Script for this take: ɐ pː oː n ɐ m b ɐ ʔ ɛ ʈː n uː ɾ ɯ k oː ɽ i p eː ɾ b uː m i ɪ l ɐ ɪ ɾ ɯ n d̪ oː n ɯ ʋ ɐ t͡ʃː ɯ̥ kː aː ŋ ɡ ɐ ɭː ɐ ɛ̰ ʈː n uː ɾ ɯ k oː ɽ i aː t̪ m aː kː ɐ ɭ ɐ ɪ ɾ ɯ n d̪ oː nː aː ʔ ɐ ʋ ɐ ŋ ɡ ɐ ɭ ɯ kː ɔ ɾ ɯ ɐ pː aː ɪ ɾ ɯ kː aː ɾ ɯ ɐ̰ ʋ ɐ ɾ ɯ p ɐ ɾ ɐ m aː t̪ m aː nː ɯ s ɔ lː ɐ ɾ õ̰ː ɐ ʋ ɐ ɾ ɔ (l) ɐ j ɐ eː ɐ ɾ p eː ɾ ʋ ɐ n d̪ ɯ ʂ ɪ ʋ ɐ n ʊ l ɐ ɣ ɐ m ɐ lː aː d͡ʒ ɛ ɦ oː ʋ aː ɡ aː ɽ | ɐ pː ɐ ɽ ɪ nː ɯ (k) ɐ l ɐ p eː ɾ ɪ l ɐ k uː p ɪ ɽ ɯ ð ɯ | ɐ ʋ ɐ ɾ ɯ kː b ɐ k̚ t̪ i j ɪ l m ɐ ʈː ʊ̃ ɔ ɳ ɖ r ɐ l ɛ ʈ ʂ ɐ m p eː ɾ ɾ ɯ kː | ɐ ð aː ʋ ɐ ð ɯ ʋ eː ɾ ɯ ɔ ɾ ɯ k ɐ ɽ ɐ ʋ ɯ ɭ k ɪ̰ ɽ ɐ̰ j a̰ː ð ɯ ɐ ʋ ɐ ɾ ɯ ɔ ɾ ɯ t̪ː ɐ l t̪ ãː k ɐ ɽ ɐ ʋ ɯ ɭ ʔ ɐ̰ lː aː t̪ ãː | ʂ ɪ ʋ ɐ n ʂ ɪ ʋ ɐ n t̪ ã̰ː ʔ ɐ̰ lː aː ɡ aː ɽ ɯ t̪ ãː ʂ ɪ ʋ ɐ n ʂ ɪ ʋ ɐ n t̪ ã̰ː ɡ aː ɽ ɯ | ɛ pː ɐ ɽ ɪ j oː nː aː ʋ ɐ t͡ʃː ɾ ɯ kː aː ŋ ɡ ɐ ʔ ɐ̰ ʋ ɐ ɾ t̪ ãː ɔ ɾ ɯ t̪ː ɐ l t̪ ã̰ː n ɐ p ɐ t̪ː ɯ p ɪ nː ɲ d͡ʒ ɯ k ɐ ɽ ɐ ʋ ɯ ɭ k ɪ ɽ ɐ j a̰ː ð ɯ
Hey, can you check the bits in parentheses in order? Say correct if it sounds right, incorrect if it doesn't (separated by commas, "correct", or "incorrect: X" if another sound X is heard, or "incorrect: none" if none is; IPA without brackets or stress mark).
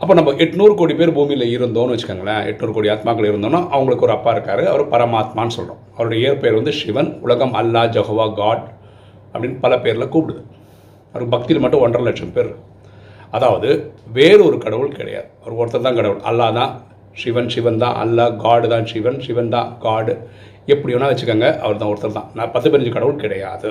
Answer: incorrect: ɽ, incorrect: p